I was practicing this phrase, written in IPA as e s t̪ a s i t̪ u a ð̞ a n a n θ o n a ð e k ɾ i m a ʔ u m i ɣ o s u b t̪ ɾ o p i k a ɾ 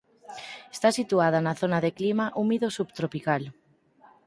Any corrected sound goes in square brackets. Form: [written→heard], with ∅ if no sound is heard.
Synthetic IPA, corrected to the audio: e s t̪ a s i t̪ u a ð̞ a n a [n→∅] θ o n a ð e k [ɾ→l] i m a ʔ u m i [ɣ→ð] o s u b t̪ ɾ o p i k a [ɾ→l]